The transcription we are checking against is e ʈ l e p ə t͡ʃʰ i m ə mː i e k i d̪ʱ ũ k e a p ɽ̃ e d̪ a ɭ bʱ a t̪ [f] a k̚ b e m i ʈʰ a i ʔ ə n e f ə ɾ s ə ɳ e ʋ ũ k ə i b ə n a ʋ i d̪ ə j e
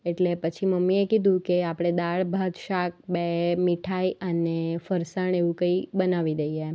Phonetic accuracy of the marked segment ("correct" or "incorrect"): incorrect